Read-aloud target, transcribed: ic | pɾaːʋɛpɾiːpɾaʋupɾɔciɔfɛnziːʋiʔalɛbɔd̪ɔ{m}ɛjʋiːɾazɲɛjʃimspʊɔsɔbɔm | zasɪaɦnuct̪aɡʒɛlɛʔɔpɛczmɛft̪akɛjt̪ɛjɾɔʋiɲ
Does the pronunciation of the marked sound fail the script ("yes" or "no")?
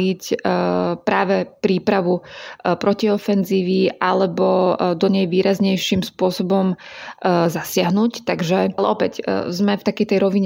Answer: yes